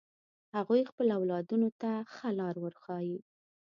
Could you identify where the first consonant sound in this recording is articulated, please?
glottal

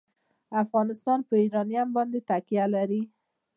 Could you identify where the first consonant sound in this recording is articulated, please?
labial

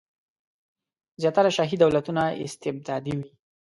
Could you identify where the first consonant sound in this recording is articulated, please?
alveolar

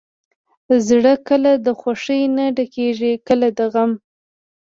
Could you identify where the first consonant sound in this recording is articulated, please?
alveolar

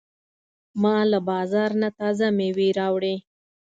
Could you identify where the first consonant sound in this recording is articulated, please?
labial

